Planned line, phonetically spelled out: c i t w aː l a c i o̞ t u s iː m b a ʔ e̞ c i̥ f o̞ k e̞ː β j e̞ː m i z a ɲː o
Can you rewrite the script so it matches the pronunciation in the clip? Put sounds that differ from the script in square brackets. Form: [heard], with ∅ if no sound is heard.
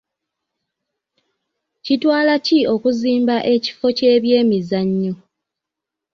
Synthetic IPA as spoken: c i t w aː l a c i o̞ [k] u [z] iː m b a ʔ e̞ c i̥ f o̞ [c] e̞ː β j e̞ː m i z a ɲː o